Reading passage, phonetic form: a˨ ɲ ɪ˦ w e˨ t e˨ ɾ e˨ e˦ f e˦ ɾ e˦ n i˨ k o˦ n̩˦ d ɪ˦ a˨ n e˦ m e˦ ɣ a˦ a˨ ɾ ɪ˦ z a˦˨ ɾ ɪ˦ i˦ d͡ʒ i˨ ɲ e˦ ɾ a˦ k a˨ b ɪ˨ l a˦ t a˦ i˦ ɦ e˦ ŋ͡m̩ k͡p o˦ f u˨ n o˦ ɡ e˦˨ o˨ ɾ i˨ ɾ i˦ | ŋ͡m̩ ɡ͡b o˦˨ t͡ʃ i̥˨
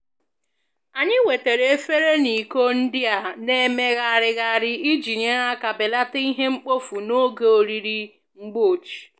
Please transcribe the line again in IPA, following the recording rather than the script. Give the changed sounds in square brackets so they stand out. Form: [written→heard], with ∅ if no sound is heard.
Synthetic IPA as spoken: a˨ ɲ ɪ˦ w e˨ t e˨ ɾ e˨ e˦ f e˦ ɾ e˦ n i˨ k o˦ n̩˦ d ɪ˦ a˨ n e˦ m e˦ ɣ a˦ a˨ ɾ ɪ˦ [z→ɣ] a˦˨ ɾ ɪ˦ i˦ d͡ʒ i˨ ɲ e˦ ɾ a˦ k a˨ b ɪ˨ l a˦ t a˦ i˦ ɦ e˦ ŋ͡m̩ k͡p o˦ f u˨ n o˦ ɡ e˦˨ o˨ ɾ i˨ ɾ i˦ | ŋ͡m̩ ɡ͡b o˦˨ t͡ʃ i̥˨